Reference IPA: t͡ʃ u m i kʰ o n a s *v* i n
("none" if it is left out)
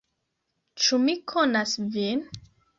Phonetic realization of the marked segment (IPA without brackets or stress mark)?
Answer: v